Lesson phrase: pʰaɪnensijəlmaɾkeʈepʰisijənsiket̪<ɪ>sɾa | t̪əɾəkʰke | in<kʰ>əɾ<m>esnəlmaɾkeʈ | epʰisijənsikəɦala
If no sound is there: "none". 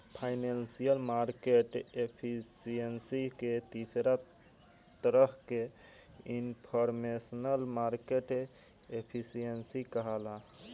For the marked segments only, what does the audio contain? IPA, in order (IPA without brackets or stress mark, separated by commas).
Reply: i, pʰ, m